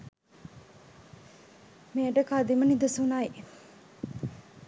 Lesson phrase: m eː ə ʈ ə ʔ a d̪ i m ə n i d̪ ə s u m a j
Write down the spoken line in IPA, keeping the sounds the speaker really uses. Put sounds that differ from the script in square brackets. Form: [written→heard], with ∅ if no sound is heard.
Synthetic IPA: m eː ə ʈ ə [ʔ→k] a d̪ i m ə n i d̪ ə s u [m→n] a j

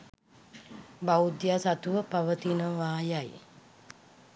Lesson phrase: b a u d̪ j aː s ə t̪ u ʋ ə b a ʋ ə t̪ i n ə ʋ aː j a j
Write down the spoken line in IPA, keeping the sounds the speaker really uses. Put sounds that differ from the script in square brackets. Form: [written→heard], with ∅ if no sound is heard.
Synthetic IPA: b a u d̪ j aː s [ə→a] t̪ u ʋ ə [b→p] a ʋ ə t̪ i n ə ʋ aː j a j

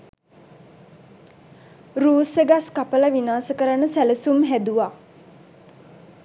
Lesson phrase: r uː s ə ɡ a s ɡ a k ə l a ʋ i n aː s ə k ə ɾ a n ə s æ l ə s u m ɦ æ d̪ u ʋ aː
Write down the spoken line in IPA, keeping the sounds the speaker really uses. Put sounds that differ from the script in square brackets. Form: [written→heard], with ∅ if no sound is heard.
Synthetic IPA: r uː s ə ɡ a s [ɡ→k] a [k→p] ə l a ʋ i n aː s ə k ə ɾ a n ə s æ l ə s u m ɦ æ d̪ u ʋ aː

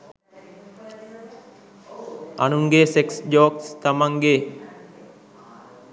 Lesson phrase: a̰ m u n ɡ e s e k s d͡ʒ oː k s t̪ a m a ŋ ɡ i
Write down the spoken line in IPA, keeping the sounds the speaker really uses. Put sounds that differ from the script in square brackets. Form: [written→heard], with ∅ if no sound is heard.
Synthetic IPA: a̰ [m→n] u [n→ŋ] ɡ e s e k s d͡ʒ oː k s t̪ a m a ŋ ɡ [i→e]

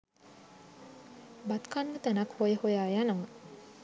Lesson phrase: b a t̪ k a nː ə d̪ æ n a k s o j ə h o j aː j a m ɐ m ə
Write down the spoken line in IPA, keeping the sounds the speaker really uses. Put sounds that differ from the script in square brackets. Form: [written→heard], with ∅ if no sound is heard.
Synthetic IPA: b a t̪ k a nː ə [d̪→t̪] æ n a k [s→h] o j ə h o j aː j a [m→n] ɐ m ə

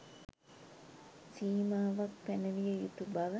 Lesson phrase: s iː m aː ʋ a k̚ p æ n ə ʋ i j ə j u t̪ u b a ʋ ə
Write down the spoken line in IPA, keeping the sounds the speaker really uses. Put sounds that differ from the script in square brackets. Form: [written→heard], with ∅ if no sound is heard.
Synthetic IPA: s iː m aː ʋ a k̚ p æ n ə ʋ i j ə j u t̪ u b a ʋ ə

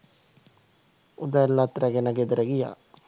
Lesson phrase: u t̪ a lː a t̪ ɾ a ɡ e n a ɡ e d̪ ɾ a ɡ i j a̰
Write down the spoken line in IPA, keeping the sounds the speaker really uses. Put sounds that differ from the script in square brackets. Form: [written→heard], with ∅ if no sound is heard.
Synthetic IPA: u [t̪→d̪] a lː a t̪ ɾ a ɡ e n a ɡ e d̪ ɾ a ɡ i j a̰

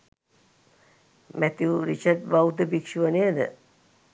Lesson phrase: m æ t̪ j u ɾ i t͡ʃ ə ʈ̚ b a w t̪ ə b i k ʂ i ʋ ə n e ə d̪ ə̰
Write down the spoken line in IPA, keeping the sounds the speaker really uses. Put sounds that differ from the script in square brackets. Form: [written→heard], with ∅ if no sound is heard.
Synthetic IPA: m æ t̪ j u ɾ i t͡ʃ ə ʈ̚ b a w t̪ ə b i k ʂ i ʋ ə n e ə d̪ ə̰

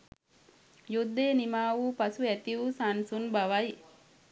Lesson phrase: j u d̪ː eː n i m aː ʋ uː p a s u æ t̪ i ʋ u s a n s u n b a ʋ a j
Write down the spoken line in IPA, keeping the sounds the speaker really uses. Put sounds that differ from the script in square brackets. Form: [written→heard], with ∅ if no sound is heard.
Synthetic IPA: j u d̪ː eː n i m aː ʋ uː p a s u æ t̪ i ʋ u s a n s u n b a ʋ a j

